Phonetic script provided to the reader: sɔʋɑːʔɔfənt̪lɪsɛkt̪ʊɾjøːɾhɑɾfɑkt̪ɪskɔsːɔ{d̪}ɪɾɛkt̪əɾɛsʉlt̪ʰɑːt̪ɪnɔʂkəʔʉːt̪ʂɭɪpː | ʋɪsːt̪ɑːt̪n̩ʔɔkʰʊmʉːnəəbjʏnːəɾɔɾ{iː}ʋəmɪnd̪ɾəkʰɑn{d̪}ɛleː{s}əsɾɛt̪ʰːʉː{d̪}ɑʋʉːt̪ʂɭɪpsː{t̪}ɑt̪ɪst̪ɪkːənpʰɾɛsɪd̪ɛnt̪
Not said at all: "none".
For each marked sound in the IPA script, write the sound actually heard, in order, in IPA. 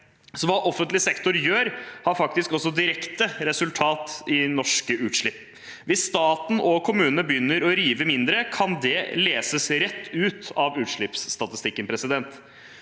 d̪, iː, d̪, s, t̪, t̪

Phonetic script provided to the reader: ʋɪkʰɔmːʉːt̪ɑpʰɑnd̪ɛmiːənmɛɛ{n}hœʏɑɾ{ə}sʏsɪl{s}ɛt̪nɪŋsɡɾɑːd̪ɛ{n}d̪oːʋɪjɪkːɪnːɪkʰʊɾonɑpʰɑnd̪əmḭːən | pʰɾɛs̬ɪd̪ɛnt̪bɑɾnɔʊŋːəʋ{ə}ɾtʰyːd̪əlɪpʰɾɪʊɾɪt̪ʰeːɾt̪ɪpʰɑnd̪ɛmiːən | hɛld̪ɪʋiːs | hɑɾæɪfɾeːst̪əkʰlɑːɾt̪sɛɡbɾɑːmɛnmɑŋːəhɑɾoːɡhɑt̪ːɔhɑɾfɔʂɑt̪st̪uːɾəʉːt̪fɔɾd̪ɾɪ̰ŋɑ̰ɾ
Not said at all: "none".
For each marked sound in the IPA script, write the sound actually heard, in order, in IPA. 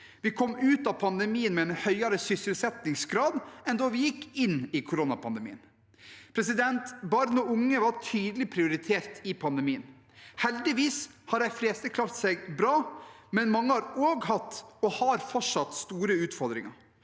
n, ə, s, n, ɑ

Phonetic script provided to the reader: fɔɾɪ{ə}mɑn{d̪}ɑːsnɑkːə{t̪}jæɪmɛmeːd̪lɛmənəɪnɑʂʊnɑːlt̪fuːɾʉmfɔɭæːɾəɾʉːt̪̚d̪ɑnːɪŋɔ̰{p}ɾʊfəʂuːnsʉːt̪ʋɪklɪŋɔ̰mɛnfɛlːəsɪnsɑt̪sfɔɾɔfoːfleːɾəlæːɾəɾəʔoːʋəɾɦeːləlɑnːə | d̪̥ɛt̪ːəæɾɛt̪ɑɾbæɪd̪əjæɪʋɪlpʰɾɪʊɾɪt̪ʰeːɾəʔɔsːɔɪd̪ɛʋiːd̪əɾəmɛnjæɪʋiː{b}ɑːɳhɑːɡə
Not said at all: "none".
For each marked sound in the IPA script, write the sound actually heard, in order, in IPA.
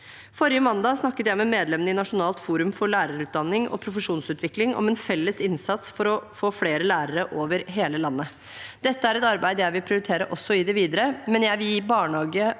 ə, d̪, t̪, pʰ, b

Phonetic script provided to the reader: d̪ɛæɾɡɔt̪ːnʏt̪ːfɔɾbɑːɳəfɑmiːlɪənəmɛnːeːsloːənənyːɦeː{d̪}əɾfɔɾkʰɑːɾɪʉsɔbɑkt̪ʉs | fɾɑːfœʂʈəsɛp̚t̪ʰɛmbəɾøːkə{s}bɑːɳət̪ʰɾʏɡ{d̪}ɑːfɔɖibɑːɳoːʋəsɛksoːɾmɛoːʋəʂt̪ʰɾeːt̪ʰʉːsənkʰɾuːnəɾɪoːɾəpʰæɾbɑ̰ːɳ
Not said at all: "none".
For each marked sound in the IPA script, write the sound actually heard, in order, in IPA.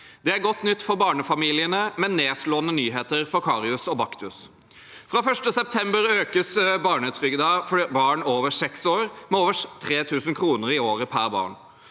t̪, s, d̪

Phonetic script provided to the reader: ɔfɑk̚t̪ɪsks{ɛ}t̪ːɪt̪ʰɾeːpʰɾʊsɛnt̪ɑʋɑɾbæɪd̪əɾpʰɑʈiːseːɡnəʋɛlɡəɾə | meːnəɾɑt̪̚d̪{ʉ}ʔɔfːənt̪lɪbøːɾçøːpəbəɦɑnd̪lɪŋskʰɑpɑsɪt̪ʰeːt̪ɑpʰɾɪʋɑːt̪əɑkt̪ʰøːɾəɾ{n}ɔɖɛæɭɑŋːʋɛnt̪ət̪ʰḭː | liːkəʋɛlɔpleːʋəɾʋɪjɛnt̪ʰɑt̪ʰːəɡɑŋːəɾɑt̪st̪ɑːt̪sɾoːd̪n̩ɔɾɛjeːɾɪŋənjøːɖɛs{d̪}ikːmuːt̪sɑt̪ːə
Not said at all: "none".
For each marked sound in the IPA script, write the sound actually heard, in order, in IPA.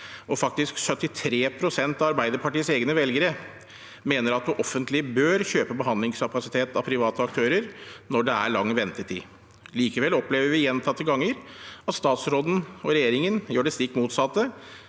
œ, ʉ, n, t̪

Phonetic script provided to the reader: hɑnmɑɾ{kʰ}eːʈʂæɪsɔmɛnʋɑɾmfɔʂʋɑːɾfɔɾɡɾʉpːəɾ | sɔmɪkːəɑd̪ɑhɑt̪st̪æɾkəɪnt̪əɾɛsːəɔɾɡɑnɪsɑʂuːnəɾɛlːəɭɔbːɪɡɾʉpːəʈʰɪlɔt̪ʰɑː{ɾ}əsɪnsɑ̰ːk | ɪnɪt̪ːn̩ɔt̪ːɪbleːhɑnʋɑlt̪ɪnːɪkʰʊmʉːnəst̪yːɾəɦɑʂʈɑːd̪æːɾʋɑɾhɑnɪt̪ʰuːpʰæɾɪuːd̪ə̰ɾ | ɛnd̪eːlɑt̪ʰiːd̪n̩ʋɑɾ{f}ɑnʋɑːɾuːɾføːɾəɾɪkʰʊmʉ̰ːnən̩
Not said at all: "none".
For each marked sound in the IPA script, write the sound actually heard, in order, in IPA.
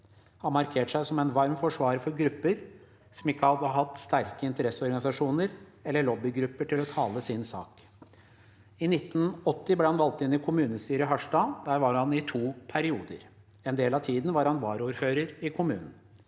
kʰ, l, h

